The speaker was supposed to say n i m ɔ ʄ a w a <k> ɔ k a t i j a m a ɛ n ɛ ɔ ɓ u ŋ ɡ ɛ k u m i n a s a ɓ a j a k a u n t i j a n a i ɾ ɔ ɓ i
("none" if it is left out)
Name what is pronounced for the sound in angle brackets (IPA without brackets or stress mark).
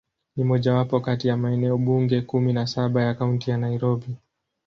p